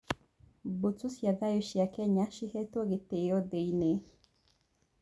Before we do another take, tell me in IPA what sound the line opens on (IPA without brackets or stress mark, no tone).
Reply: b